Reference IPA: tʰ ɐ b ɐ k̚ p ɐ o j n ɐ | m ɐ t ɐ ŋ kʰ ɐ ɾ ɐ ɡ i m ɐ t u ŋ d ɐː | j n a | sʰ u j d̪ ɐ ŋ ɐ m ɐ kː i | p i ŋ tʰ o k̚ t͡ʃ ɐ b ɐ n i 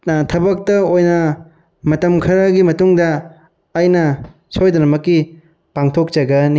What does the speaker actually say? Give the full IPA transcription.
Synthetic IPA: tʰ ɐ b ɐ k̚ t ɐ o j n ɐ | m ɐ t ɐ m kʰ ɐ ɾ ɐ ɡ i m ɐ t u ŋ d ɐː | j n ɐ | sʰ o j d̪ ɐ n ɐ m ɐ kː i | p a ŋ tʰ o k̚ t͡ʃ ɐ ɡ ɐ n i